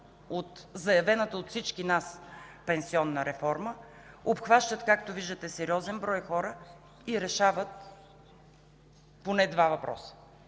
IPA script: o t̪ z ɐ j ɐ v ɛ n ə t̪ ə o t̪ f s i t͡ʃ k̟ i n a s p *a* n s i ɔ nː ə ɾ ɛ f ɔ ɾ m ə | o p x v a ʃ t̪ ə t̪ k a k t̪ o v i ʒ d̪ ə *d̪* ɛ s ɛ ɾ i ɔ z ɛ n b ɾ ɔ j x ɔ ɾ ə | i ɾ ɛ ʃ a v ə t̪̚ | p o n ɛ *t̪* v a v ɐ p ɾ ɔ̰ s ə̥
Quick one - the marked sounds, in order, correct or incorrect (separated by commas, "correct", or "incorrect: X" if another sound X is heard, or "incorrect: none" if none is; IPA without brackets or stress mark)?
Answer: incorrect: ɛ, incorrect: t̪, incorrect: d̪